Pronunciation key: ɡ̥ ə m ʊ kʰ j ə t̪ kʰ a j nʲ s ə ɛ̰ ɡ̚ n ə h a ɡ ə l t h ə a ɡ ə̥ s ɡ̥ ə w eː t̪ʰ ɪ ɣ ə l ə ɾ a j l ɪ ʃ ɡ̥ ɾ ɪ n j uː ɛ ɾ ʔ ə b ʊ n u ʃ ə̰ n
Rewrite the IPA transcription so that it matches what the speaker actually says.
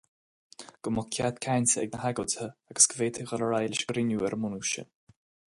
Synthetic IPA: ɡ̥ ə m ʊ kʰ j a t̪ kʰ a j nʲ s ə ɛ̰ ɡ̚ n ə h a ɡ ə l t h ə a ɡ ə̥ s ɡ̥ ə v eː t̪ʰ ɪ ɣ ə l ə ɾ a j l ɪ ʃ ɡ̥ ɾ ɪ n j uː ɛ ɾ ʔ ə m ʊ n u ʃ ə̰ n